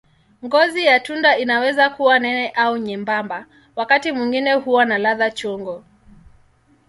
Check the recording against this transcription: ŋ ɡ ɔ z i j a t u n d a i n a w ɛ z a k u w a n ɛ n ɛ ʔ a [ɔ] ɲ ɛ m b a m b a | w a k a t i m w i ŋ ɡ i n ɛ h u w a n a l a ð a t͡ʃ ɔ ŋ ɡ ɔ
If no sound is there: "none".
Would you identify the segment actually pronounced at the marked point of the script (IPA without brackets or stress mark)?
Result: u